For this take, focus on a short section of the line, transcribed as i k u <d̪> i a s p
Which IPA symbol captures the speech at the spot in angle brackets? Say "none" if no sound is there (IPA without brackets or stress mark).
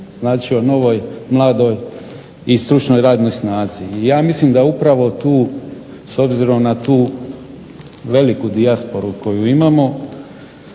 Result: d̪